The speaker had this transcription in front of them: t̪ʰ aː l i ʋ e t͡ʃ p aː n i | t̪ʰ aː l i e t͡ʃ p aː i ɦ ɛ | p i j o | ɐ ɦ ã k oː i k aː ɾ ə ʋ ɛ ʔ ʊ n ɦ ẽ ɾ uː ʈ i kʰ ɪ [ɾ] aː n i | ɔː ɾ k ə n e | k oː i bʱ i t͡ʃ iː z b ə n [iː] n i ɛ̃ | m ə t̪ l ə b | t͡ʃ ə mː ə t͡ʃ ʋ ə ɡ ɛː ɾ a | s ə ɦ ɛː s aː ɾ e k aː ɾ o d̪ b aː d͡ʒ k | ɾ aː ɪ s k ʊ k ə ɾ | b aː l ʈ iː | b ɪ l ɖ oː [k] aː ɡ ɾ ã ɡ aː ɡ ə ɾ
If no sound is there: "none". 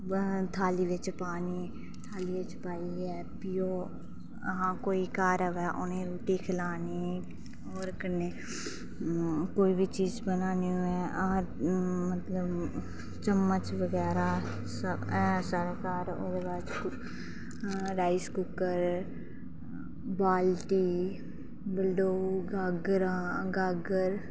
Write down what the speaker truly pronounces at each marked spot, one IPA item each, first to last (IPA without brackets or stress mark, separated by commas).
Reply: l, aː, ɡ